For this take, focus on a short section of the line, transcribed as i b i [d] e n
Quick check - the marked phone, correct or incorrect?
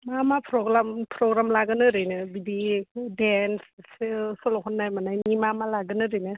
correct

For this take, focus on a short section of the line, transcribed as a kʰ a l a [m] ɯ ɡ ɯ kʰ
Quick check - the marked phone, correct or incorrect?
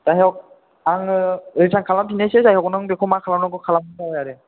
incorrect: n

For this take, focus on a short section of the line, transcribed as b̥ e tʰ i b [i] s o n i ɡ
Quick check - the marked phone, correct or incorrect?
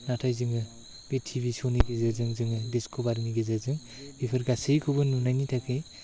correct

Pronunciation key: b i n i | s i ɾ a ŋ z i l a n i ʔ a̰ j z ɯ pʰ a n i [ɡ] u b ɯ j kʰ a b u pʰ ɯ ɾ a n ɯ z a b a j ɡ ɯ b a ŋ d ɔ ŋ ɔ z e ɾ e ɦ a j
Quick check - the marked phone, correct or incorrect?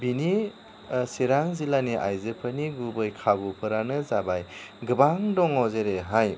correct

